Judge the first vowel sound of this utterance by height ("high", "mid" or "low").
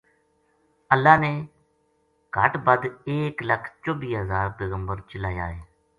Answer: mid